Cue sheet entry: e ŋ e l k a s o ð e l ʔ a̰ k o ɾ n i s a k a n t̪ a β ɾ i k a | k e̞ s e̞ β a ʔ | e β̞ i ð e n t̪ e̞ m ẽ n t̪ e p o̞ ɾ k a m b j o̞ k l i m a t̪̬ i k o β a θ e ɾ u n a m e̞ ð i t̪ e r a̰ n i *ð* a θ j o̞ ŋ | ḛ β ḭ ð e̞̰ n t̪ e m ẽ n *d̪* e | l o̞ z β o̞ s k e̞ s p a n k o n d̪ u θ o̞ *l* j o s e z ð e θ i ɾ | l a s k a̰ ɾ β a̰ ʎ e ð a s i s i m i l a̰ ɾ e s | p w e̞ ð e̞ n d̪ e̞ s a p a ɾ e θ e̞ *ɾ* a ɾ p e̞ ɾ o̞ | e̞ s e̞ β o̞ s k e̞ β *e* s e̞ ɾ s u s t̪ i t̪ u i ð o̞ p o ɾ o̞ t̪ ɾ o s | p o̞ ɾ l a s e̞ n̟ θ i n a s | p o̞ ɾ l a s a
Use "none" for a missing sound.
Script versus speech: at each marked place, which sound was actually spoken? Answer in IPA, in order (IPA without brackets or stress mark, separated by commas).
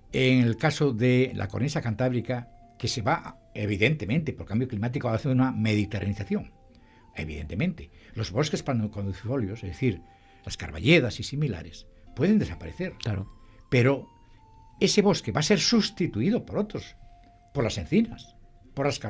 θ, t̪, l, ɾ, a